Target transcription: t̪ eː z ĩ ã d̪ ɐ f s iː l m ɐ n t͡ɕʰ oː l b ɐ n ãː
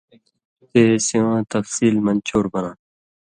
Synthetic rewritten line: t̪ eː s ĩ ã t̪ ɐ f s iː l m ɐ n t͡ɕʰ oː ɾ b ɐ n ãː